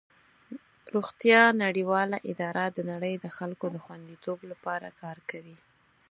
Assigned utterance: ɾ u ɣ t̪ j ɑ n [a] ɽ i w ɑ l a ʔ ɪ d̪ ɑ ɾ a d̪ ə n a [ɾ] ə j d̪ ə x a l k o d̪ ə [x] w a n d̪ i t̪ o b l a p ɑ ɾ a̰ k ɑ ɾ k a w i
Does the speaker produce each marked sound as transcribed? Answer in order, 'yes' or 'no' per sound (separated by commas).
yes, no, yes